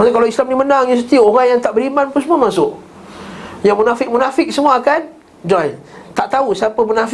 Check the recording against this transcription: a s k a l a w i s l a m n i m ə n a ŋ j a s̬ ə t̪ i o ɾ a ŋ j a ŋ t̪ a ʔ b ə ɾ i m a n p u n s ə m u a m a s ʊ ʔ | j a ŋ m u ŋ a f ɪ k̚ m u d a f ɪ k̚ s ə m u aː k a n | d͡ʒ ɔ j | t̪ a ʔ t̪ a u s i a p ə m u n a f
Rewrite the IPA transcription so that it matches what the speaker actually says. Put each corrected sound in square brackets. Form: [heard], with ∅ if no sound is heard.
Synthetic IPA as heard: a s k a l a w i s l a m n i m ə n a ŋ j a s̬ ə t̪ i o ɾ a ŋ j a ŋ t̪ a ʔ b ə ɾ i m a n p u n s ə m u a m a s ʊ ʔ | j a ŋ m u [n] a f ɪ k̚ m u [n] a f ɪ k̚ s ə m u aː k a n | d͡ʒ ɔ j | t̪ a ʔ t̪ a u s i a p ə m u n a f